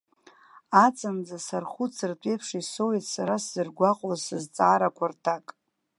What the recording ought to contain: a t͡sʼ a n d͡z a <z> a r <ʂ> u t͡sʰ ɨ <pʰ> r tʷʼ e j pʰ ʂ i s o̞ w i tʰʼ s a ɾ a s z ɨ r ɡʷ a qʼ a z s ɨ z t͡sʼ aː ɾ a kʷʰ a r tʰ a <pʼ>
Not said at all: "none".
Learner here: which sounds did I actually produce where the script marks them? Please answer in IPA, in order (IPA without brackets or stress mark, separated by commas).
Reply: s, χ, none, kʼ